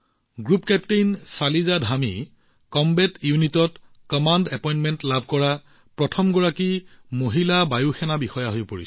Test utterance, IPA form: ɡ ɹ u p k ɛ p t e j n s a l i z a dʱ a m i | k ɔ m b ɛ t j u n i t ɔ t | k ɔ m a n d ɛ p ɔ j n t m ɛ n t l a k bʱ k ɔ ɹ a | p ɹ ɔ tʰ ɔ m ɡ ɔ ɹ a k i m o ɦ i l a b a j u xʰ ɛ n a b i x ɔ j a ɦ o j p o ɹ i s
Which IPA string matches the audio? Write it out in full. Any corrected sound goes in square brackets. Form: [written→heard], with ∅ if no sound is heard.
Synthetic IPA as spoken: ɡ ɹ u p k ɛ p t e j n s a l i z a dʱ a m i | k ɔ m b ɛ t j u n i t ɔ t | k ɔ m a n d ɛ p ɔ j n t m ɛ n t l a [k→∅] bʱ k ɔ ɹ a | p ɹ ɔ tʰ ɔ m ɡ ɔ ɹ a k i m o ɦ i l a b a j u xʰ ɛ n a b i x ɔ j a ɦ o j p o ɹ i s